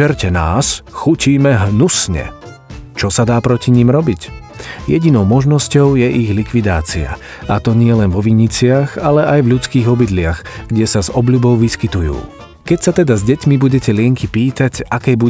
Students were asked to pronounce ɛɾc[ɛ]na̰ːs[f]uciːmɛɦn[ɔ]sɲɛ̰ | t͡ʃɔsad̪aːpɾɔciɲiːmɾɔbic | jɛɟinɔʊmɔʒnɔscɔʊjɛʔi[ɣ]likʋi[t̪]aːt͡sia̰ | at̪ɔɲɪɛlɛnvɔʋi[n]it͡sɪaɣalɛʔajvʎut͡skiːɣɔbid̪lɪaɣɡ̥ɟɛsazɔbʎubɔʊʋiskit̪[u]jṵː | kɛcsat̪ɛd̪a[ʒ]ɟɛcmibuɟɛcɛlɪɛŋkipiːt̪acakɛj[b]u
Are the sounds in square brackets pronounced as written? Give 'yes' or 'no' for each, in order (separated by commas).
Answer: yes, no, no, yes, no, no, yes, no, yes